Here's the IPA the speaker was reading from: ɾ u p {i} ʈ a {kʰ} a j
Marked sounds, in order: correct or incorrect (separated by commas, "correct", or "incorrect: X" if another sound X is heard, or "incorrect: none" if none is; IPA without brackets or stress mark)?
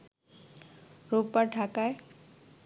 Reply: incorrect: a, incorrect: k